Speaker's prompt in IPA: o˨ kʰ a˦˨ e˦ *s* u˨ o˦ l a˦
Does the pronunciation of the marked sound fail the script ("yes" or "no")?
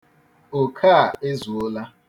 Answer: yes